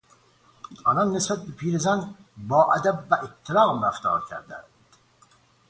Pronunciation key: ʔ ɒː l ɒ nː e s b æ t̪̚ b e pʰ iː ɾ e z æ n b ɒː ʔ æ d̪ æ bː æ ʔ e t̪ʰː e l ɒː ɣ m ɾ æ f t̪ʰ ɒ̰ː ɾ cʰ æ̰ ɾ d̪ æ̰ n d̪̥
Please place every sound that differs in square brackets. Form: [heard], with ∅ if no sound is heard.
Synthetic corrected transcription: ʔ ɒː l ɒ nː e s b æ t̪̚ b e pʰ iː ɾ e z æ n b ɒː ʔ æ d̪ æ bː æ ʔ e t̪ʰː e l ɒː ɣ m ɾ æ f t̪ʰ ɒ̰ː ɾ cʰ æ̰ ɾ d̪ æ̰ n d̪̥